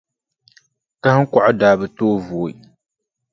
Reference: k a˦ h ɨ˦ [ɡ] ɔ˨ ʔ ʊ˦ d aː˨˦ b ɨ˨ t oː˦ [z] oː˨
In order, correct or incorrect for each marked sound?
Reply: incorrect: k, incorrect: v

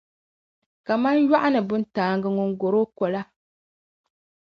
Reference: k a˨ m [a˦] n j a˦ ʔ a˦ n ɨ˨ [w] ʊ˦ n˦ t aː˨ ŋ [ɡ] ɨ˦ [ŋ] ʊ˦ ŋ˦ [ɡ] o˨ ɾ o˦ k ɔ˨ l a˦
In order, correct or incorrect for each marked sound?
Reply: correct, incorrect: b, correct, correct, correct

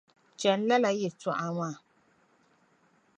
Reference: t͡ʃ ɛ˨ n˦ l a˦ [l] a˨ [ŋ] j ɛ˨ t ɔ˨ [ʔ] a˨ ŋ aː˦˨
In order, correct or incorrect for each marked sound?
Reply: correct, incorrect: none, correct

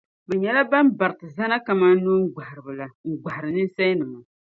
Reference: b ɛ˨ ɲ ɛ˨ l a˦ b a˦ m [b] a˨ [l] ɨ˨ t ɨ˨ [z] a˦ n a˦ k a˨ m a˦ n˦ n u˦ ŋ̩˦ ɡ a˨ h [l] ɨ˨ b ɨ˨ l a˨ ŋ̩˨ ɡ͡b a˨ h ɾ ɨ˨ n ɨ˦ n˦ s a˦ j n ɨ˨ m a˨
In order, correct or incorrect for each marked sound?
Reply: correct, incorrect: ɾ, correct, incorrect: ɾ

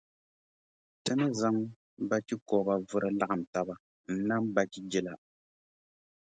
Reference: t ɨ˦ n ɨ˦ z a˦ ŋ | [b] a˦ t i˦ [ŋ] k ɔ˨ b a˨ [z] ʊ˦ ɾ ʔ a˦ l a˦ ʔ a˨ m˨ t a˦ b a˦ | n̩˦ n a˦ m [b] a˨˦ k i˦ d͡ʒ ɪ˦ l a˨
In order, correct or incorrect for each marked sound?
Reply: correct, incorrect: none, incorrect: v, correct

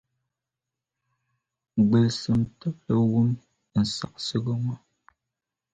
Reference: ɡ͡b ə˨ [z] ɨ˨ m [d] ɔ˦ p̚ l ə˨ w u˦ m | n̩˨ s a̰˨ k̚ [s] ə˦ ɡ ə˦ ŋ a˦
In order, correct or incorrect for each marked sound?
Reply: incorrect: s, incorrect: t, correct

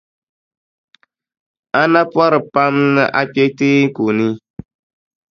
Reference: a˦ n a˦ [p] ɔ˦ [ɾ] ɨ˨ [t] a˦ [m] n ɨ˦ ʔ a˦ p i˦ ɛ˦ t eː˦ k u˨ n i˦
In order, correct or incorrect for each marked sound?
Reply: correct, correct, incorrect: p, correct

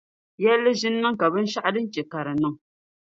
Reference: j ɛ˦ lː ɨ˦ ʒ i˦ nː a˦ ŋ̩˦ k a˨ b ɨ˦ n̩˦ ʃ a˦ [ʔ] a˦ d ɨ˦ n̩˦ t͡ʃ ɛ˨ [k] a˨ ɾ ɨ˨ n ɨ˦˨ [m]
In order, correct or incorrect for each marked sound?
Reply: correct, correct, incorrect: ŋ

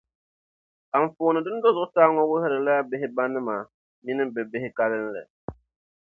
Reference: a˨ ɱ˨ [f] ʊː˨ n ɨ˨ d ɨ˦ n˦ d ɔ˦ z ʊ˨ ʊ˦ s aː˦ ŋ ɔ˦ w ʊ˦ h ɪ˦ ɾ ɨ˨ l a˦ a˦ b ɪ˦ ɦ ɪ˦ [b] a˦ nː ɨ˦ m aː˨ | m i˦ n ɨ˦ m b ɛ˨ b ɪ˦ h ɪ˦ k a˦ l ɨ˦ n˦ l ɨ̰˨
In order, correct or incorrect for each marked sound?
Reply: correct, correct

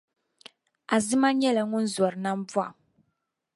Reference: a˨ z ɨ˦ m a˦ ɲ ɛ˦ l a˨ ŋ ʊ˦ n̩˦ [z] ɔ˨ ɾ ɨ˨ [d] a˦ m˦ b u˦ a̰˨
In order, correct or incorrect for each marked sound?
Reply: correct, incorrect: n

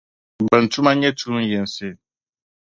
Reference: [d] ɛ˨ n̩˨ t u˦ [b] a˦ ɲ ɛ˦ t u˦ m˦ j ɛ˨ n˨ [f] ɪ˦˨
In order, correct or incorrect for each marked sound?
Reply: incorrect: b, incorrect: m, incorrect: s

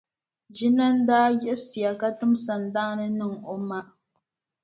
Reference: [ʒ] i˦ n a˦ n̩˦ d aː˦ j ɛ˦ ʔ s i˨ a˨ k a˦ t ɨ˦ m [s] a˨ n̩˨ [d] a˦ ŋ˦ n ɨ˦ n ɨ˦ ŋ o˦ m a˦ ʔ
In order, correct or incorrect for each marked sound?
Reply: incorrect: d͡ʒ, correct, correct

